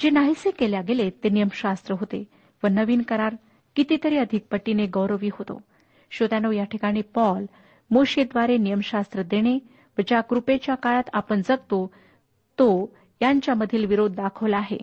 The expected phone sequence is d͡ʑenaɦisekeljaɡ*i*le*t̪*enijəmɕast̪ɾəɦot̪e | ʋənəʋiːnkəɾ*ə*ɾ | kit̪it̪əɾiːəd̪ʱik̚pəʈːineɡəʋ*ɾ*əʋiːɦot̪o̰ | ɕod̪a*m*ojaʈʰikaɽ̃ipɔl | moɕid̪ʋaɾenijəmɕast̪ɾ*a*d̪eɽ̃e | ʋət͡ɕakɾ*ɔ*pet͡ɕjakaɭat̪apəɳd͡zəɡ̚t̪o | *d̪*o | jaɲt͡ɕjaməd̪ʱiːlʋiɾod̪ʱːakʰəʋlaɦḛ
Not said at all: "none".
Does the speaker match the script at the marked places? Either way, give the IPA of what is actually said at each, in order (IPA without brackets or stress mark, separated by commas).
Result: e, t̪, a, ɾ, n, ə, u, t̪